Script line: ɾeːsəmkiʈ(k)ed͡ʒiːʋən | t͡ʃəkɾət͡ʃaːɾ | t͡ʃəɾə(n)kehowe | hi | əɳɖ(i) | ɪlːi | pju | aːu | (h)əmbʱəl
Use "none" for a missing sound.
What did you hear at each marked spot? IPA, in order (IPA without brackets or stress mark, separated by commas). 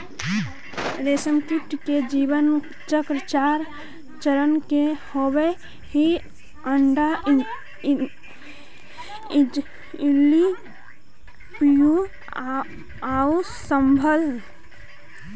k, n, a, s